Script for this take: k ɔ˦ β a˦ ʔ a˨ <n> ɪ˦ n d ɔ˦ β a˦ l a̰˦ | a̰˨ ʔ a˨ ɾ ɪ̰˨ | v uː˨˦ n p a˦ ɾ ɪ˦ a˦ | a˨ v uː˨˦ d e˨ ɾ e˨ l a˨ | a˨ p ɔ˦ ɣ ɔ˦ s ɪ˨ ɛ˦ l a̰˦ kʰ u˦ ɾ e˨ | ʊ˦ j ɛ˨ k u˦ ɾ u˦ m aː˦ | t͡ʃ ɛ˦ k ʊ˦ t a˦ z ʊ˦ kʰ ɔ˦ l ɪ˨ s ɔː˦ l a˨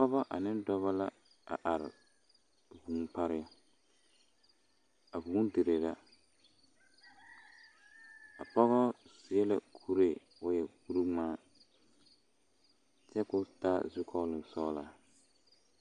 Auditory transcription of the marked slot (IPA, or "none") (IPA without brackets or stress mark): n